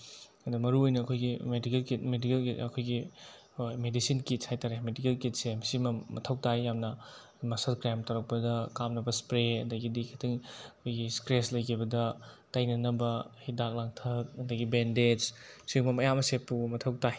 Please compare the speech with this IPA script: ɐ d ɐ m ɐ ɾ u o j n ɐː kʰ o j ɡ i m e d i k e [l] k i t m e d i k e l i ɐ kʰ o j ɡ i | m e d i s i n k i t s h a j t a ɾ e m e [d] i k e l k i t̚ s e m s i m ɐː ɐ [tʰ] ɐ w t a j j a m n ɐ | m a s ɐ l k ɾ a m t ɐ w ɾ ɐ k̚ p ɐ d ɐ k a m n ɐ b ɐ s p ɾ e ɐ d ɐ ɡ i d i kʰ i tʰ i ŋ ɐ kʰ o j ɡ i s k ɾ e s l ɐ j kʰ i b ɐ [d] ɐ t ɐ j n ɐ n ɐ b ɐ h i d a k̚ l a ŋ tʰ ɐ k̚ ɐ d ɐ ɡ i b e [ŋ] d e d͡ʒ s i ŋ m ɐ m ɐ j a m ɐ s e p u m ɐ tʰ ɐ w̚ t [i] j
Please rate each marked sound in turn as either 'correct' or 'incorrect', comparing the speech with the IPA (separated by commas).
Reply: correct, correct, correct, correct, incorrect, incorrect